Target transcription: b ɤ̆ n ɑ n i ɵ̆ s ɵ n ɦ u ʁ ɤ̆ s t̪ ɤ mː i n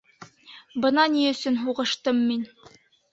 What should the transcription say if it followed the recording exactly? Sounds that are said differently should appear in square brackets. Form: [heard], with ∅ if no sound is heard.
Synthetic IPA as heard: b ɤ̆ n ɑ n i ɵ̆ s ɵ n ɦ u ʁ ɤ̆ [ʃ] t̪ ɤ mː i n